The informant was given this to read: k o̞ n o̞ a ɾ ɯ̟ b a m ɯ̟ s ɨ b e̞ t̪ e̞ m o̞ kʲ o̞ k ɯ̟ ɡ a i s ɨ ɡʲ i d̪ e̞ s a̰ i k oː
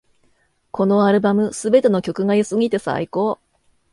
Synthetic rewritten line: k o̞ n o̞ a ɾ ɯ̟ b a m ɯ̟ s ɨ b e̞ t̪ e̞ n o̞ kʲ o̞ k ɯ̟ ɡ a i s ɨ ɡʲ i t̪ e̞ s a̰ i k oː